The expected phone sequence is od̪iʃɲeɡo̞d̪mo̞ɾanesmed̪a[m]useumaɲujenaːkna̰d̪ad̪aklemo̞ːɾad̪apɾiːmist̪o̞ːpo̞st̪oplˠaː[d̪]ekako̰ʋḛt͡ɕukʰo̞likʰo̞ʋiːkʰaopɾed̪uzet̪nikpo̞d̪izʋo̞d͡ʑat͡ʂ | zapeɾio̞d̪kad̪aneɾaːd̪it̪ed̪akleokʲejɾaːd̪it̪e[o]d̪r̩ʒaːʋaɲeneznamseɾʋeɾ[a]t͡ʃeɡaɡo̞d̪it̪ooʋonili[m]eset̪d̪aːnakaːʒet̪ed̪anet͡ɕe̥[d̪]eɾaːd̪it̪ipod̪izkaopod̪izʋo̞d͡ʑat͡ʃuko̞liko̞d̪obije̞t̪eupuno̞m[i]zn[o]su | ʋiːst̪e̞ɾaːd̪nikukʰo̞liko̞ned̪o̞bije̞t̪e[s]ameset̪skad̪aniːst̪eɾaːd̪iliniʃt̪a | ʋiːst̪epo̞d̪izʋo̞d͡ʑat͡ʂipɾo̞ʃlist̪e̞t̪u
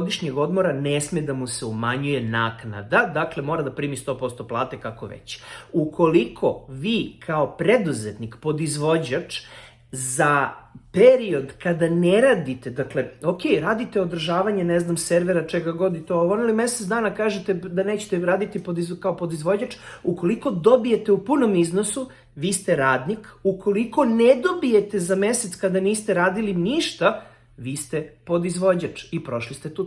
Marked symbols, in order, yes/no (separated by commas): yes, no, yes, yes, yes, no, yes, yes, no